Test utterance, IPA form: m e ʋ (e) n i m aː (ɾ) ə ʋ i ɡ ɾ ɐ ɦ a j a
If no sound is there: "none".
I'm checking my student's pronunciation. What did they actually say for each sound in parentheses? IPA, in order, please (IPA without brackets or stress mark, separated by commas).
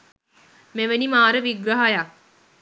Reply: e, ɾ